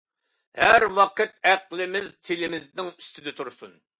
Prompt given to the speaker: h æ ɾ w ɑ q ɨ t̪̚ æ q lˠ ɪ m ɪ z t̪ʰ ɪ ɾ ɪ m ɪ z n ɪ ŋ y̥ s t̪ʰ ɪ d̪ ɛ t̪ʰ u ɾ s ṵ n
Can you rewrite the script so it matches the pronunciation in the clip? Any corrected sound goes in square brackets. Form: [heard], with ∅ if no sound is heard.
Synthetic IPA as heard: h æ ɾ w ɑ q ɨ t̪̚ æ q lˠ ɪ m ɪ z t̪ʰ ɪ [l] ɪ m ɪ z n ɪ ŋ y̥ s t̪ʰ ɪ d̪ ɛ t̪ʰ u ɾ s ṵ n